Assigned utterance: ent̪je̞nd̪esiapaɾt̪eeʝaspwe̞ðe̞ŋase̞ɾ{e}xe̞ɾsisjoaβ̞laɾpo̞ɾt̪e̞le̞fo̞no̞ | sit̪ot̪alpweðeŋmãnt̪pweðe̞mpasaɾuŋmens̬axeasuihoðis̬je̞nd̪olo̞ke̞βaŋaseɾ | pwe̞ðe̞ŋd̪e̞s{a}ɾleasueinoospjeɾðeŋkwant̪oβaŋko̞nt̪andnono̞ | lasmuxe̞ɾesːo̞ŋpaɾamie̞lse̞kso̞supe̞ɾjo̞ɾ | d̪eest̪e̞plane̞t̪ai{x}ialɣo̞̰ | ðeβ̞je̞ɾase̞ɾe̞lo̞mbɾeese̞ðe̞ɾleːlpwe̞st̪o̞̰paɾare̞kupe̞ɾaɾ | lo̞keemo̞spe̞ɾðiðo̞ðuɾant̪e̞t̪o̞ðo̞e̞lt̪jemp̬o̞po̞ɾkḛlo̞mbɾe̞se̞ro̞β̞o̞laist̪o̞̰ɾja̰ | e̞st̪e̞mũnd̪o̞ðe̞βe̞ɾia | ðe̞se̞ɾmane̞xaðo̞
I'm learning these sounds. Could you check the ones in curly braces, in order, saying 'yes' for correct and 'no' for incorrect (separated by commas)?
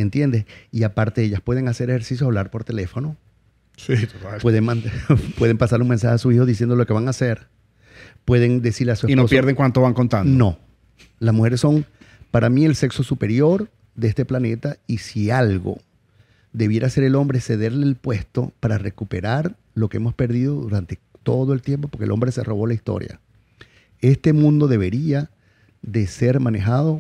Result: yes, no, no